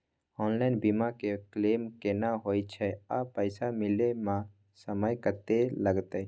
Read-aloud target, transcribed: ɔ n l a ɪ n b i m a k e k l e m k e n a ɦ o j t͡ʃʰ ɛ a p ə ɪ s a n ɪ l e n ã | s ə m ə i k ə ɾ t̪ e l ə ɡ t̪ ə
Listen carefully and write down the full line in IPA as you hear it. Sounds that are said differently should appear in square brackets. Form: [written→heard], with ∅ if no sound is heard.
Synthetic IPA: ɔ n l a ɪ n b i m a k e k l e m k e n a ɦ o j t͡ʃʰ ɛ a p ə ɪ s a [n→m] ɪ l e [n→m] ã | s ə m ə [i→j] k ə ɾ t̪ e l ə ɡ t̪ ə